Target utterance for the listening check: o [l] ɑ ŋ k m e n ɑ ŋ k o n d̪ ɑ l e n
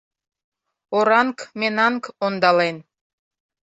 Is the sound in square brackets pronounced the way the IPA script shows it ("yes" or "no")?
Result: no